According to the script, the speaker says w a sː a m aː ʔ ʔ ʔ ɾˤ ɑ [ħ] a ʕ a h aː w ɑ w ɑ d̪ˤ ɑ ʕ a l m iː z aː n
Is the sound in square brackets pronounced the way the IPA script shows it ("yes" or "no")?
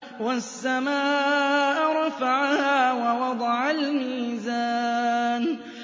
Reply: no